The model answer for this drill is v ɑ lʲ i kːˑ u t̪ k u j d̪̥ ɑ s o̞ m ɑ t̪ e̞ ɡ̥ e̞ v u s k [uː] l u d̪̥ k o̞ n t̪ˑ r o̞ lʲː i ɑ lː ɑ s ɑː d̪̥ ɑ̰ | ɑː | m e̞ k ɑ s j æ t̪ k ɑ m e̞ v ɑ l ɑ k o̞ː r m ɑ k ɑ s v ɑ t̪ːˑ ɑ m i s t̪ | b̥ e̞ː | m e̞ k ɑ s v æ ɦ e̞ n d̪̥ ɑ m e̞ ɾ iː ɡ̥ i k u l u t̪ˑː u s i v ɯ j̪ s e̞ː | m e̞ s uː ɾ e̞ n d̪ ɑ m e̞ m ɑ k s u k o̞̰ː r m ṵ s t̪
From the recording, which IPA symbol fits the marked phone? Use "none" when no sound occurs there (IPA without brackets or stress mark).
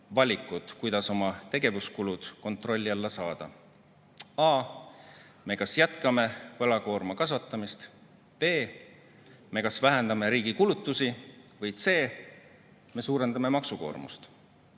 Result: u